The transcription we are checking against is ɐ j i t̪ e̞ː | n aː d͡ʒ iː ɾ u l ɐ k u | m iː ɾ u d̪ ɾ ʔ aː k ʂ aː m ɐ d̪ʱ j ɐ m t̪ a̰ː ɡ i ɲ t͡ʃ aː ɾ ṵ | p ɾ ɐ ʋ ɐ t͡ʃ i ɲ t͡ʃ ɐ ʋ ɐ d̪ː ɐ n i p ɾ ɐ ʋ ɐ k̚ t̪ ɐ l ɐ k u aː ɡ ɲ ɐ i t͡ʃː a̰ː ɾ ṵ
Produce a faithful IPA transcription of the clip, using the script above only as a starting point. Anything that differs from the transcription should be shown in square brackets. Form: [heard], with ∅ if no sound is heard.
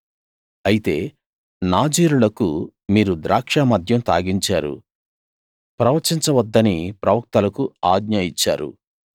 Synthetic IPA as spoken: ɐ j i t̪ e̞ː | n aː d͡ʒ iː ɾ u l ɐ k u | m iː ɾ u d̪ ɾ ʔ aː k ʂ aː m ɐ d̪ʱ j ɐ m t̪ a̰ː ɡ i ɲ t͡ʃ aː ɾ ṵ | p ɾ ɐ ʋ ɐ t͡ʃ i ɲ t͡ʃ ɐ ʋ ɐ d̪ː ɐ n i p ɾ ɐ ʋ ɐ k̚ t̪ ɐ l ɐ k u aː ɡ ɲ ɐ i t͡ʃː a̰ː ɾ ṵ